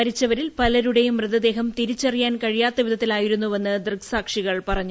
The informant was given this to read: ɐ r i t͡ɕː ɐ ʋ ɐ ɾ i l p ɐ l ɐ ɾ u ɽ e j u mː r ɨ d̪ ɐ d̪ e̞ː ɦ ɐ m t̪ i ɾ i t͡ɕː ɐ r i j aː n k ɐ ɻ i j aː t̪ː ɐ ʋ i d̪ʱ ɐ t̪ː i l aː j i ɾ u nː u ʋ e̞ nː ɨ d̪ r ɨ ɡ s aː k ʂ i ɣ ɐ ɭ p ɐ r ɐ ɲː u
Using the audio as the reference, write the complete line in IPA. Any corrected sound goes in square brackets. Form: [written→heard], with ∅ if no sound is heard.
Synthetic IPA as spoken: ɐ [r→ɾ] i t͡ɕː ɐ ʋ ɐ ɾ i l p ɐ l ɐ ɾ u ɽ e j u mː r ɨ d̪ ɐ d̪ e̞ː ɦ ɐ m t̪ i ɾ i t͡ɕː ɐ r i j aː n k ɐ ɻ i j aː t̪ː ɐ ʋ i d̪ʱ ɐ t̪ː i l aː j i ɾ u nː u ʋ e̞ nː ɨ d̪ r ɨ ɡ s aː k ʂ i ɣ ɐ ɭ p ɐ r ɐ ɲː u